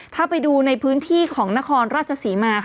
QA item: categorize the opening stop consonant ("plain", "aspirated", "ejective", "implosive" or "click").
aspirated